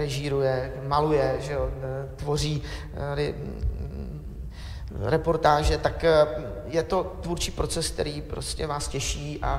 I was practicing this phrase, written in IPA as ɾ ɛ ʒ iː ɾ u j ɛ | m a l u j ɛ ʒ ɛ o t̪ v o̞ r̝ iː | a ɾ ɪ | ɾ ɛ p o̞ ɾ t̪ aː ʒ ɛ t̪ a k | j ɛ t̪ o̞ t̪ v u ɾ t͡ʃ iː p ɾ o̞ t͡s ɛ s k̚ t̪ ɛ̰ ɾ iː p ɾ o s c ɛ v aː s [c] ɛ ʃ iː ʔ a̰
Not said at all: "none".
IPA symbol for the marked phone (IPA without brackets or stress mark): c